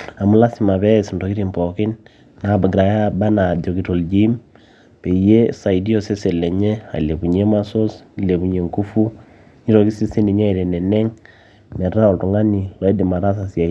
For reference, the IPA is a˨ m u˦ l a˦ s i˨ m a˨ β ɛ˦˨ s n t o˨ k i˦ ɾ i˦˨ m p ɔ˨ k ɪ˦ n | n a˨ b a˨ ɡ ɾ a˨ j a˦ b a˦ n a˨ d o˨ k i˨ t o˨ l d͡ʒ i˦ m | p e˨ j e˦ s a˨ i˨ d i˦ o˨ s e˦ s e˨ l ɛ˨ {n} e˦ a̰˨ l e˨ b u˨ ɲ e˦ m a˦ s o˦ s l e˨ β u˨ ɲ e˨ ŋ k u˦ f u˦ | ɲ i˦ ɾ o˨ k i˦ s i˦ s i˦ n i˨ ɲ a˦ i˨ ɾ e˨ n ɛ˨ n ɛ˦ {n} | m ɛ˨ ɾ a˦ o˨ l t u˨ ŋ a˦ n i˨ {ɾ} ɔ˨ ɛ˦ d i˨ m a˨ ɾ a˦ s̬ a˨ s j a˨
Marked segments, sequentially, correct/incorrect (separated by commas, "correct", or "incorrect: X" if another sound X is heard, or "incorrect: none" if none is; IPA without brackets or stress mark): incorrect: ɲ, incorrect: ŋ, incorrect: l